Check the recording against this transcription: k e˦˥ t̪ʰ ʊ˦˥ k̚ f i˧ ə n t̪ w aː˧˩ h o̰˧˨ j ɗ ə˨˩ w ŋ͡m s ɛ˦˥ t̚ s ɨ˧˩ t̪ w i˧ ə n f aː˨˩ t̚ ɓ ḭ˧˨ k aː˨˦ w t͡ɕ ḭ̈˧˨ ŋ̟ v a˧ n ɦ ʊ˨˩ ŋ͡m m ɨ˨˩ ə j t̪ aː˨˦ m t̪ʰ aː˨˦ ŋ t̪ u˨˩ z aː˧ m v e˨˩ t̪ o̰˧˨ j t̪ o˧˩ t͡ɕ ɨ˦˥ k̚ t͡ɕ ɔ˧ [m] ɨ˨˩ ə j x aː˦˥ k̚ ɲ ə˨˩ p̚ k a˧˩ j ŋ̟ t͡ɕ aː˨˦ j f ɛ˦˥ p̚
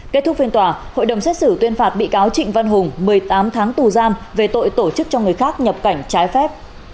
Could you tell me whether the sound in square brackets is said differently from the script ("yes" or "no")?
yes